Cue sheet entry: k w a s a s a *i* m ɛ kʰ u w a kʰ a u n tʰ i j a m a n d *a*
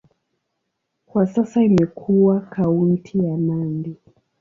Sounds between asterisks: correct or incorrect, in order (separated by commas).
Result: correct, incorrect